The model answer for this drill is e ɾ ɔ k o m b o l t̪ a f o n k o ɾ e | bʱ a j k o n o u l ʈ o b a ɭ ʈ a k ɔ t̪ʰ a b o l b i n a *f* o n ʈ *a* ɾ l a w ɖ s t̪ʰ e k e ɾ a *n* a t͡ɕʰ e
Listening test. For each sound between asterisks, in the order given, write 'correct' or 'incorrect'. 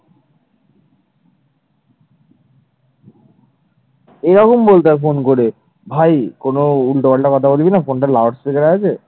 correct, correct, incorrect

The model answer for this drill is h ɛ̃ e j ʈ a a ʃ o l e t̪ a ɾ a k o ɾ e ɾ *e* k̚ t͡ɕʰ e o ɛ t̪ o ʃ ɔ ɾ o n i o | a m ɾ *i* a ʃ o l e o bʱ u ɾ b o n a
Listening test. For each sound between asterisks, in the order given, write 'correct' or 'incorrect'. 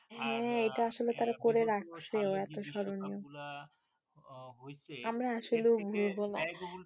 incorrect, incorrect

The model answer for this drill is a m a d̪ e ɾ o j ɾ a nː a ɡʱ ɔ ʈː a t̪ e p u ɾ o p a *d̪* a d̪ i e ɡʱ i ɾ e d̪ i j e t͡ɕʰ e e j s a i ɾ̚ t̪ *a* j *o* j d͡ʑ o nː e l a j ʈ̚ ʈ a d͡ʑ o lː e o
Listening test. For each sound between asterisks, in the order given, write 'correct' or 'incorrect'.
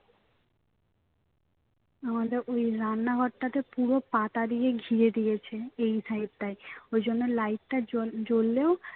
incorrect, correct, correct

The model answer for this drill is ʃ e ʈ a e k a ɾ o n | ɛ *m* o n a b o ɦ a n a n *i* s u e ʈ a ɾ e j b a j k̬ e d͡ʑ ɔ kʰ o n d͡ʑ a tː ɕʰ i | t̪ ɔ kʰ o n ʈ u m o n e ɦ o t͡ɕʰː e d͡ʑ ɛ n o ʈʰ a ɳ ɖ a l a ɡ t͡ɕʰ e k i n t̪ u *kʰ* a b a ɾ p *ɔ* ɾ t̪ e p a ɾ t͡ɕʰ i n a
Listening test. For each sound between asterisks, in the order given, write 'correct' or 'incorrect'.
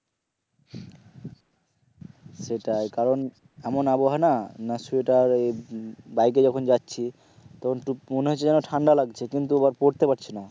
correct, incorrect, incorrect, incorrect

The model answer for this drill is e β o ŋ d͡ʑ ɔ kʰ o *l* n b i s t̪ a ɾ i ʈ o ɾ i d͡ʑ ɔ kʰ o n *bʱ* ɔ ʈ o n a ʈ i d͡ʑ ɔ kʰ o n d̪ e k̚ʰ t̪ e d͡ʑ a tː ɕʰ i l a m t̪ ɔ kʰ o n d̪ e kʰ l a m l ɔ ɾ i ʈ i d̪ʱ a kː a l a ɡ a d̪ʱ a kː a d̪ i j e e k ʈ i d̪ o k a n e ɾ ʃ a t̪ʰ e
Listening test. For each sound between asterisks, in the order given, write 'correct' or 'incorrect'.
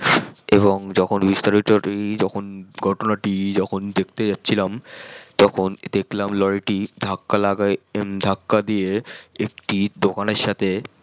incorrect, incorrect

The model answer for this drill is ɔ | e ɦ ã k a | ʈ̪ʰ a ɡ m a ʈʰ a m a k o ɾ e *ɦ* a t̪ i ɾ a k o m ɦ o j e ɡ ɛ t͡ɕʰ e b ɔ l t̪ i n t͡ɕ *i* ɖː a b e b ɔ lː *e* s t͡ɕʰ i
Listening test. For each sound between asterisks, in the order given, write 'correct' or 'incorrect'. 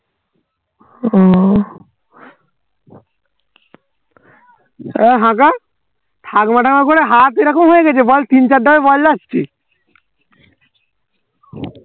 correct, incorrect, incorrect

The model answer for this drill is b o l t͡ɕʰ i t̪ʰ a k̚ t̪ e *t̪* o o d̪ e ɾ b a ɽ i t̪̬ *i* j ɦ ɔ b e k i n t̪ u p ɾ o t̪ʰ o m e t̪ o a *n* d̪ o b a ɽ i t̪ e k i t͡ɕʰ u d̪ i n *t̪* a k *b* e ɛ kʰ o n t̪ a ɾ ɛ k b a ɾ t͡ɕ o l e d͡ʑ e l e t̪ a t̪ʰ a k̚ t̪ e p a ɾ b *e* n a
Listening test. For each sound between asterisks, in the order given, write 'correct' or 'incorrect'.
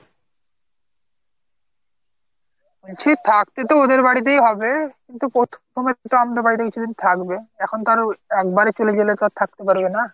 correct, incorrect, incorrect, incorrect, correct, correct

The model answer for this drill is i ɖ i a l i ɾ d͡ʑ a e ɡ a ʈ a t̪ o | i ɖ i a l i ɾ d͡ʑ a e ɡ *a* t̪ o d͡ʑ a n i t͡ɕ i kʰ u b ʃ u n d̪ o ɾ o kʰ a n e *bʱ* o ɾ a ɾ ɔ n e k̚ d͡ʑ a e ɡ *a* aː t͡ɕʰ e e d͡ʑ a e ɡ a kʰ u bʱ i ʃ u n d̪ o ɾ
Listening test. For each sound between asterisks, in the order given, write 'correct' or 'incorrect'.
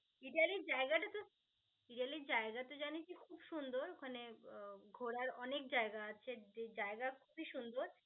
correct, incorrect, correct

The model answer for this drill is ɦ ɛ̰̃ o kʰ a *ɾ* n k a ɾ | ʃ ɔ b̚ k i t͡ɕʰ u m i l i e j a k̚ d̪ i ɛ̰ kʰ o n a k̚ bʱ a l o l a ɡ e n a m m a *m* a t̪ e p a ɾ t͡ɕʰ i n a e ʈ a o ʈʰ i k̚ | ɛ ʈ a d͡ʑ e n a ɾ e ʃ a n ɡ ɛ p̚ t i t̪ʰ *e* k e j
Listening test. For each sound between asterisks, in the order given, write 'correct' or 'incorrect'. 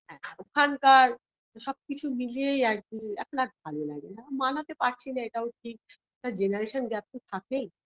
incorrect, incorrect, incorrect

